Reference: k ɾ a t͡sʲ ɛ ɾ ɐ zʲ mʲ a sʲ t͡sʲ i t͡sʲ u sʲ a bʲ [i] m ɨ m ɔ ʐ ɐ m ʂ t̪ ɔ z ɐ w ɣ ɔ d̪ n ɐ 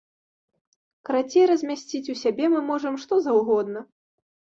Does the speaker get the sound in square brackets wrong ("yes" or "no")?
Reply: yes